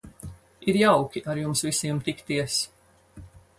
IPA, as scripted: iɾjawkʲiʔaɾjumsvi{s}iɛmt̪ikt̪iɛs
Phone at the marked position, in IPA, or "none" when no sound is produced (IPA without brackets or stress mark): s